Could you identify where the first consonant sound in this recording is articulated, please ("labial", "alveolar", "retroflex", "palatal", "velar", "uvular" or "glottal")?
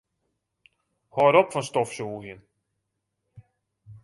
glottal